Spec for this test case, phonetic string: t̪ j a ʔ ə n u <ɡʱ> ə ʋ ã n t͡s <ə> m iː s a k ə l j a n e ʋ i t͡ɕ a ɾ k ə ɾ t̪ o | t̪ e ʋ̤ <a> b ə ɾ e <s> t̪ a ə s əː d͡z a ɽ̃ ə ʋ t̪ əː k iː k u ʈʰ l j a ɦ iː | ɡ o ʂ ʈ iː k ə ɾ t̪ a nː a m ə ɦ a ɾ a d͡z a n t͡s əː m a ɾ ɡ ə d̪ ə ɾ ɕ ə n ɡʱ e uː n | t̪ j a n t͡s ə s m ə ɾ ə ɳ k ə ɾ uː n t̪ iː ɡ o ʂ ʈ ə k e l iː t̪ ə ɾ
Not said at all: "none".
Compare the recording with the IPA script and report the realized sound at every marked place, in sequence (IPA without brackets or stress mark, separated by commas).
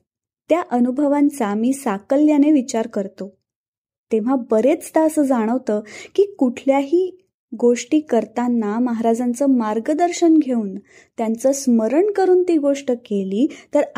bʱ, a, a, t͡s